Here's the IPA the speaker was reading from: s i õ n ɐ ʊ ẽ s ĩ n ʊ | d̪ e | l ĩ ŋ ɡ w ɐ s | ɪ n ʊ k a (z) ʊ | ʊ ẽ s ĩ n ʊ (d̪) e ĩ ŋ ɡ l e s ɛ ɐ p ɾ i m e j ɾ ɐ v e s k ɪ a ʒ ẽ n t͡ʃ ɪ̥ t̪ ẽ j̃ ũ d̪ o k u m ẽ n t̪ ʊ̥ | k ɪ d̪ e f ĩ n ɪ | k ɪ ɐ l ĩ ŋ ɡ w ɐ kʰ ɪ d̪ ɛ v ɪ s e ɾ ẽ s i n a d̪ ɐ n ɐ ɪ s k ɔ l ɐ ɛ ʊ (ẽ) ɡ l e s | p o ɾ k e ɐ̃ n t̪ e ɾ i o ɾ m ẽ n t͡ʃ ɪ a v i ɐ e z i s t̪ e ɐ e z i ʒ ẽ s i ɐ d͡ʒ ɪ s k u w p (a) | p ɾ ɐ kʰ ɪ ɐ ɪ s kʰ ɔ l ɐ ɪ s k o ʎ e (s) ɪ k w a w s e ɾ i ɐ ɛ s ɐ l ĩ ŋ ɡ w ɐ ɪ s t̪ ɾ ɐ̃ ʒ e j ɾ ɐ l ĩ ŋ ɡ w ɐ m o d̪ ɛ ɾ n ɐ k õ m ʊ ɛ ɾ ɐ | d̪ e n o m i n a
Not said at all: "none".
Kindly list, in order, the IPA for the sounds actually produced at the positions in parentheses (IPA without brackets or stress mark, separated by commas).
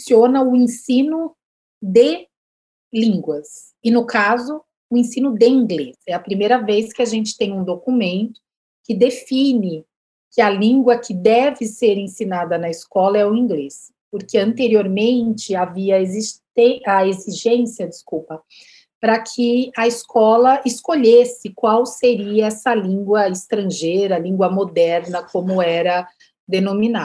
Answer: z, d̪, ĩ, ɐ, s